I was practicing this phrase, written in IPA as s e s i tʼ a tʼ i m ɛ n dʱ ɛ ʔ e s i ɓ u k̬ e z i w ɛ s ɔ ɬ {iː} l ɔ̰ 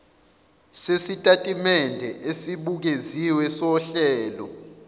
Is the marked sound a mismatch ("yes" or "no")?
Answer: yes